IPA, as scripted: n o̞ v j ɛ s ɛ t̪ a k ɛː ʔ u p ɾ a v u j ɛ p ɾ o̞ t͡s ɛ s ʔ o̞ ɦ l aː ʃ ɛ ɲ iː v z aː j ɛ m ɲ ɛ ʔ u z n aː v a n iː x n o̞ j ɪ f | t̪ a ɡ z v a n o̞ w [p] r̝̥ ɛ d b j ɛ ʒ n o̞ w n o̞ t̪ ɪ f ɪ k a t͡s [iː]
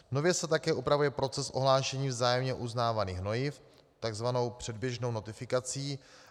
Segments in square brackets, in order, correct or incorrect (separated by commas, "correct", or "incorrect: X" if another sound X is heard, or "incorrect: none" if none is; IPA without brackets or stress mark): correct, correct